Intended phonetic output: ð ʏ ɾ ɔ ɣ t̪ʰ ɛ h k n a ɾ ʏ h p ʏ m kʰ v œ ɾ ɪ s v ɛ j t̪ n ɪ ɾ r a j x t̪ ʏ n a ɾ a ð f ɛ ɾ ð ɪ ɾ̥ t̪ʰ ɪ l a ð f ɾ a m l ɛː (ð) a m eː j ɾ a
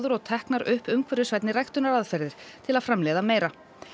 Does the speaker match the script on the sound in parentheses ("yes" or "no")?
yes